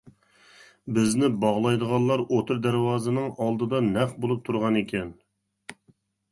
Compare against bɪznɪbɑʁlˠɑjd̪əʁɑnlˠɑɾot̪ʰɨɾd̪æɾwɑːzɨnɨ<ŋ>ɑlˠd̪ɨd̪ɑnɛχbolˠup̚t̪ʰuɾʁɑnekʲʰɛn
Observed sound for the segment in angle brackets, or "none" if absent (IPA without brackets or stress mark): ŋ